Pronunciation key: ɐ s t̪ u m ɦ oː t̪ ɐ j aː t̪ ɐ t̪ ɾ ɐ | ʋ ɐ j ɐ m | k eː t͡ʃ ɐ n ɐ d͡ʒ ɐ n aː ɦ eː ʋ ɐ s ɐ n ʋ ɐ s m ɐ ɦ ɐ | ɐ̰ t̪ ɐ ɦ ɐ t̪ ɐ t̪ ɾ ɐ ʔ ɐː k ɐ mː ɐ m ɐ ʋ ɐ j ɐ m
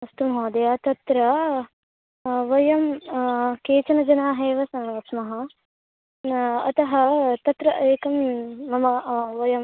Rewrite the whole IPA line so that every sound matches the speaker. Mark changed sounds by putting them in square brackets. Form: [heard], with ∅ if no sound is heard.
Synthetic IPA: ɐ s t̪ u m ɦ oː [d̪] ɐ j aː t̪ ɐ t̪ ɾ ɐ | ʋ ɐ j ɐ m | k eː t͡ʃ ɐ n ɐ d͡ʒ ɐ n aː ɦ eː ʋ ɐ s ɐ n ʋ ɐ s m ɐ ɦ ɐ | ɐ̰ t̪ ɐ ɦ ɐ t̪ ɐ t̪ ɾ ɐ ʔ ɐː k ɐ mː ɐ m ɐ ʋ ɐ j ɐ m